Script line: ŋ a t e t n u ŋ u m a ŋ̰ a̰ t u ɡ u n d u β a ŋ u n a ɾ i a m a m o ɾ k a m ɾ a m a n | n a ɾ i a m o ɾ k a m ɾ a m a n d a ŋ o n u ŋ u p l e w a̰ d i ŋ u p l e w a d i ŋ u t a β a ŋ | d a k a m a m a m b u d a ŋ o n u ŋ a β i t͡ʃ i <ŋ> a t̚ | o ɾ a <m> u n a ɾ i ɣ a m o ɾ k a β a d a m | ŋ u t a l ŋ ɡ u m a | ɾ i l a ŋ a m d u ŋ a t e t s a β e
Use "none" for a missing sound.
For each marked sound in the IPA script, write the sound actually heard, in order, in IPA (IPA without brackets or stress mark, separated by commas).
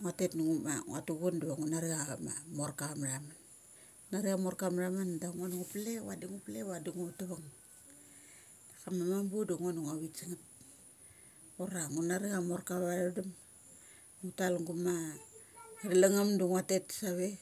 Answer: ŋ, ŋ